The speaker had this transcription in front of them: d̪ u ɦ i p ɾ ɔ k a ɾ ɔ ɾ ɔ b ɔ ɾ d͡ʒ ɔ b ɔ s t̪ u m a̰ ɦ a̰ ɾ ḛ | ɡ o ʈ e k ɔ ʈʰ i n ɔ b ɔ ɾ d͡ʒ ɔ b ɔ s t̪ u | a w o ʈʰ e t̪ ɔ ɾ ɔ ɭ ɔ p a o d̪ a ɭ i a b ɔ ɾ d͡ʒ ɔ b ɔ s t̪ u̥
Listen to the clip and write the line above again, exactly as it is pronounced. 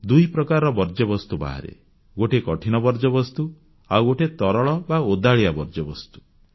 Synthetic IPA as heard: d̪ u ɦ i p ɾ ɔ k a ɾ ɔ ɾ ɔ b ɔ ɾ d͡ʒ ɔ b ɔ s t̪ u b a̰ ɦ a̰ ɾ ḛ | ɡ o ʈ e k ɔ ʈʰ i n ɔ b ɔ ɾ d͡ʒ ɔ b ɔ s t̪ u | a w o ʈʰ e t̪ ɔ ɾ ɔ ɭ ɔ b a o d̪ a ɭ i a b ɔ ɾ d͡ʒ ɔ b ɔ s t̪ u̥